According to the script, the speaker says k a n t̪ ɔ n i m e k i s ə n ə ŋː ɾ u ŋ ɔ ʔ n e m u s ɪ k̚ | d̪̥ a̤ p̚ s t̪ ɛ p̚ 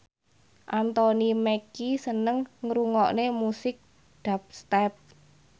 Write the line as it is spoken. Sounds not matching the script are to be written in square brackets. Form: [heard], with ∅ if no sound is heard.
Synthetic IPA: [ʔ] a n t̪ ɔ n i m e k i s ə n ə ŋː ɾ u ŋ ɔ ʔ n e m u s ɪ k̚ | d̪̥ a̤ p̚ s t̪ ɛ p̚